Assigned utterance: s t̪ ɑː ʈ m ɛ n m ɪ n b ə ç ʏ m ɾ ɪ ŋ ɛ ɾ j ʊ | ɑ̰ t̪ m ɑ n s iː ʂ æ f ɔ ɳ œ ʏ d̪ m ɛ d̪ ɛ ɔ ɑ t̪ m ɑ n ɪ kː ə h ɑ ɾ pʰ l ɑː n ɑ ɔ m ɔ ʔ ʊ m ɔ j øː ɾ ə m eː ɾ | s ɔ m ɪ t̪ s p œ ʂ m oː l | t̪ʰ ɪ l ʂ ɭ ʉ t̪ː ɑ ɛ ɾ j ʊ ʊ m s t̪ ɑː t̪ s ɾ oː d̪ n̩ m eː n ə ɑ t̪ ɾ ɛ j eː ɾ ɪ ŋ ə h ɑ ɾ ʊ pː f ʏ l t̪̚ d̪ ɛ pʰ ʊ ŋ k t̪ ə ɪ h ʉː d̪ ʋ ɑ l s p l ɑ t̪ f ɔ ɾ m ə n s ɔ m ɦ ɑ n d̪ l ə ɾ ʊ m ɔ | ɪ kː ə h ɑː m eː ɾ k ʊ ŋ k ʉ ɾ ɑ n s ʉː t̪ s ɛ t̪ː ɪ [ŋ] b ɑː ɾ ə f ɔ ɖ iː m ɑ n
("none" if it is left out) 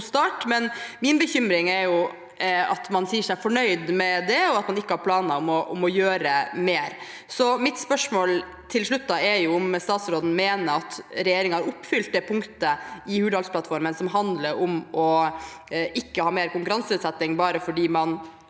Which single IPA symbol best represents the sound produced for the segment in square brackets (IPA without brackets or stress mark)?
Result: ŋ